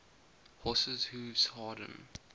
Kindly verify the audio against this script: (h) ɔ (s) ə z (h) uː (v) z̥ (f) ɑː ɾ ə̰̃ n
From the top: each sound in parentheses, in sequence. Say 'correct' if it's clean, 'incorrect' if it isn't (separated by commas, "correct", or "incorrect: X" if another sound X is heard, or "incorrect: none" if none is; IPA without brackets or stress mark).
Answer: correct, correct, correct, correct, incorrect: h